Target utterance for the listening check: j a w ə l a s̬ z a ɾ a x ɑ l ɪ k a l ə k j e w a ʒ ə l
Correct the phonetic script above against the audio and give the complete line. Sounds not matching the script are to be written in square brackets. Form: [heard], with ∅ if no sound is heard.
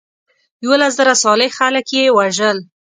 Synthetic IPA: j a w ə l a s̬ z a ɾ a [s] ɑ l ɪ [x] a l ə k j e w a ʒ ə l